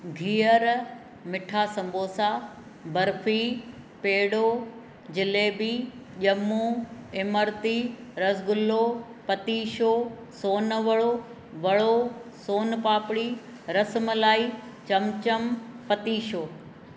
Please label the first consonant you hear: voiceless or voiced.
voiced